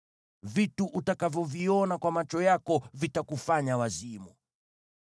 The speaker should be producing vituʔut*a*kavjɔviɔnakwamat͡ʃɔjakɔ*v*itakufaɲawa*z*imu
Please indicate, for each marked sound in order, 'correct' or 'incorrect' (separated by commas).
correct, correct, correct